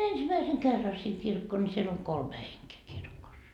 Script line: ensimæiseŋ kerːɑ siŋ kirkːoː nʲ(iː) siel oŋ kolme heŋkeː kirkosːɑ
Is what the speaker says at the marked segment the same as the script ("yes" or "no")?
no